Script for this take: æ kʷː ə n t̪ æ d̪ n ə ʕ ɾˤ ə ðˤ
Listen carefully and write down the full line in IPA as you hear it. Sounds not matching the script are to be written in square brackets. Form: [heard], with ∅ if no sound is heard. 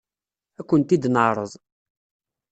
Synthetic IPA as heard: æ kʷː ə n t̪ [i] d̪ n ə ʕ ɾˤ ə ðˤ